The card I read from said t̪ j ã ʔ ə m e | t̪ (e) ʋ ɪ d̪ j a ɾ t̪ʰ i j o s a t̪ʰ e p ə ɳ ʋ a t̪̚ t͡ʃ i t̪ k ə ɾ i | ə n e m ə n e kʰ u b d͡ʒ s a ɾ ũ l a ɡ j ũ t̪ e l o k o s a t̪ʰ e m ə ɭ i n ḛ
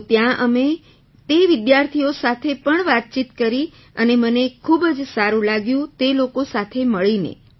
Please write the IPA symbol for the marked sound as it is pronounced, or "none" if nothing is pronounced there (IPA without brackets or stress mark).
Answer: e